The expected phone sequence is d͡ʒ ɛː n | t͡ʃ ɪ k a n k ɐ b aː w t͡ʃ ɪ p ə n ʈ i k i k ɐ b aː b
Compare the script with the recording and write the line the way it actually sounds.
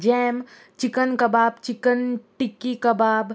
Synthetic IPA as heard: d͡ʒ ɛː m | t͡ʃ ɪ k ə n k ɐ b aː b t͡ʃ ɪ k ə n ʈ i k i k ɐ b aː b